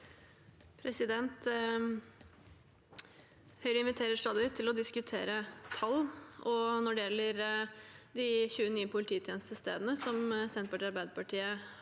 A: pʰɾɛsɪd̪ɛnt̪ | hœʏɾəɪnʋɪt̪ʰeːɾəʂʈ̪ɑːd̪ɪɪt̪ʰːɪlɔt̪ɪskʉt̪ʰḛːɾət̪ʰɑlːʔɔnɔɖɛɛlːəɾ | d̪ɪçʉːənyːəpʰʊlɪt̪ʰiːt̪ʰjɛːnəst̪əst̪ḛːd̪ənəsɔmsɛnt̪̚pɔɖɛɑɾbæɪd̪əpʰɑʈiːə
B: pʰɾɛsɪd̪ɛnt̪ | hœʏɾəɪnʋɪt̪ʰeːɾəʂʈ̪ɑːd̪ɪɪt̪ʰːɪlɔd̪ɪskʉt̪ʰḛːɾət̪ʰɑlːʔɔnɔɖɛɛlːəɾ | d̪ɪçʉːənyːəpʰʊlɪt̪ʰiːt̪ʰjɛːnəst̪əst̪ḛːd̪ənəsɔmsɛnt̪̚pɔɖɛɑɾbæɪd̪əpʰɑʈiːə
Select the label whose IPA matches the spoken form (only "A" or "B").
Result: B